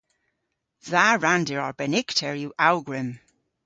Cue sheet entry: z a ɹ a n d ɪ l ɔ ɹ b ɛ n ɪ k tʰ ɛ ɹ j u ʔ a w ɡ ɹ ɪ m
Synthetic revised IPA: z a ɹ a n d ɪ ɹ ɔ ɹ b ɛ n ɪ k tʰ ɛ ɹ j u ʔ a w ɡ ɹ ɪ m